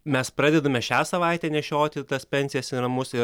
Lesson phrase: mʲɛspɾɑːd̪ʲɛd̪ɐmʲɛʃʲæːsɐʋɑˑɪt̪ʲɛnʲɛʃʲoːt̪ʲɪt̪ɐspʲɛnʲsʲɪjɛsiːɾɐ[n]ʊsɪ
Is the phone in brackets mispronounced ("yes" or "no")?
yes